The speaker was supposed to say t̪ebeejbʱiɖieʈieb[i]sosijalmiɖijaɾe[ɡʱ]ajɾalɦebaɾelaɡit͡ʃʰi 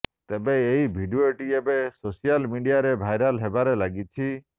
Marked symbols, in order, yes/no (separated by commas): no, no